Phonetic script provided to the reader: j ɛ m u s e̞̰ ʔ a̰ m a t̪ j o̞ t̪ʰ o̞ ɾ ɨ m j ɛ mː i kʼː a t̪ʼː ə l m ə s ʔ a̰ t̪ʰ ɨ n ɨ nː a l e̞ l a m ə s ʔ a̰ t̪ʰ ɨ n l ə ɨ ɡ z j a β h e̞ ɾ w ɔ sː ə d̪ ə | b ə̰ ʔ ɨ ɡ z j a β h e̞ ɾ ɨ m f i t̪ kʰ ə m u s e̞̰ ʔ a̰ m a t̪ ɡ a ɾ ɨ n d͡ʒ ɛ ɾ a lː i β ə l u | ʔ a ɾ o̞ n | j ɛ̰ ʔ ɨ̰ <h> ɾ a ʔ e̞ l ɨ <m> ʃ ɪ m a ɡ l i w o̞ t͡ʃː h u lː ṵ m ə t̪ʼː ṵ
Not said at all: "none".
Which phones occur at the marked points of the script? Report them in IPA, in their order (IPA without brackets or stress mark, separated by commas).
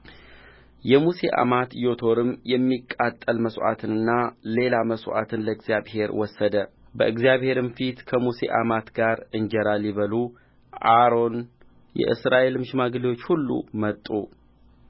s, m